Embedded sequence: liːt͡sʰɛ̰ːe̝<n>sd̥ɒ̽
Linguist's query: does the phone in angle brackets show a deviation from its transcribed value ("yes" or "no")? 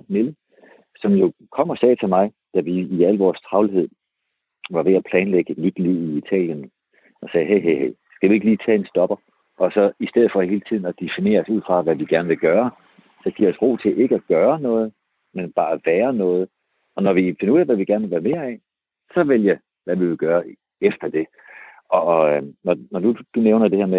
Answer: no